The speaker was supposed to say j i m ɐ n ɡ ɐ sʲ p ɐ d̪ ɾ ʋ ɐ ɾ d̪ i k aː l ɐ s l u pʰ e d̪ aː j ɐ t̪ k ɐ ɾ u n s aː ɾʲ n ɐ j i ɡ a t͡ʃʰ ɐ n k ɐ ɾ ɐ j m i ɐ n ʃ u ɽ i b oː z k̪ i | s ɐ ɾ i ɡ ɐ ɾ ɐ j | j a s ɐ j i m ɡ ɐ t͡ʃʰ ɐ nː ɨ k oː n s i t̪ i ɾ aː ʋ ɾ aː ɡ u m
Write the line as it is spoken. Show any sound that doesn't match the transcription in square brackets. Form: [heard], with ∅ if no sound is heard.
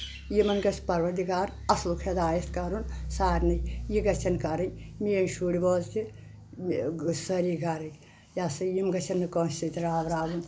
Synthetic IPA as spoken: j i m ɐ n ɡ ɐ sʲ p ɐ [∅] ɾ ʋ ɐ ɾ d̪ i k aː [ɾ] ɐ s l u [kʰ] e d̪ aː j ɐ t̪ k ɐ ɾ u n s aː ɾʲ n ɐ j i ɡ [ɐ] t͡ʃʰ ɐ n k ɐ ɾ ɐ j m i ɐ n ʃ u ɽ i b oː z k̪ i | s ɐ ɾ i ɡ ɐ ɾ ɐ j | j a s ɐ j i m ɡ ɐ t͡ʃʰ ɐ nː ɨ k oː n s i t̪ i ɾ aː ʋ ɾ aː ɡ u [n]